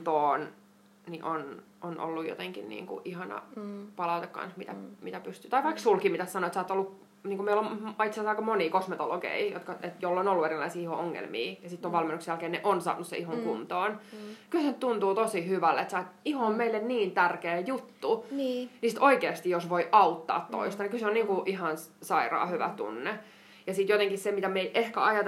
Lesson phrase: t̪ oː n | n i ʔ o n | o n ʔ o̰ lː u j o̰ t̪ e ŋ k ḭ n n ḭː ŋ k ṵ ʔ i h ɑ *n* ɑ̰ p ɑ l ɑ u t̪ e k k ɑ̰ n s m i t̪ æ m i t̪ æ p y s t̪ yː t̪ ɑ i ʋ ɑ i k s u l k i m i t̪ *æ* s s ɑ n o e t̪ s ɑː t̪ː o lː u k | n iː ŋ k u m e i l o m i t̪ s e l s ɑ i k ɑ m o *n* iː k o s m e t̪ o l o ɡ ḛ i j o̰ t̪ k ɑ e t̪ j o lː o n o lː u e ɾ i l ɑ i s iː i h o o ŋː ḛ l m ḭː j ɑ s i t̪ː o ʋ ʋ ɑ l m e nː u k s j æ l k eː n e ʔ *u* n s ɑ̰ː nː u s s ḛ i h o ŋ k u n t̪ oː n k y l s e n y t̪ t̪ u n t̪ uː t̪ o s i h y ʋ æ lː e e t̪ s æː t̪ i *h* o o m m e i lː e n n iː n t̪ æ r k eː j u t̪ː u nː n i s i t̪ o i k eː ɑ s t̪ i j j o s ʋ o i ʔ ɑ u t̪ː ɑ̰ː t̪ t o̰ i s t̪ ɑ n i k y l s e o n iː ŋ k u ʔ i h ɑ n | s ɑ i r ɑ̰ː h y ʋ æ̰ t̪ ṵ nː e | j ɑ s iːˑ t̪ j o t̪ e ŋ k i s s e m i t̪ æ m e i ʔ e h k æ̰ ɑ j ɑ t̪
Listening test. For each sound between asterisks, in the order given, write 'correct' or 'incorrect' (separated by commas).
correct, correct, correct, incorrect, correct